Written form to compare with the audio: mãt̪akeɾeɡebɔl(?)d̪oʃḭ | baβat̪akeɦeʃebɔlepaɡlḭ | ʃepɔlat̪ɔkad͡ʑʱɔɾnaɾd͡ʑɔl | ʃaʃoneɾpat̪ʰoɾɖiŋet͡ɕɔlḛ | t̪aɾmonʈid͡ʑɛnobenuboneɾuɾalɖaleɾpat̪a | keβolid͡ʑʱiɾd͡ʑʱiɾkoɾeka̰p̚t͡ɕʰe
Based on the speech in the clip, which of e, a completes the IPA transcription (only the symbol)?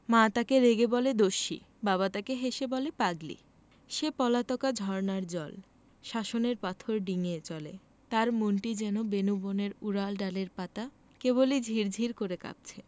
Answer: e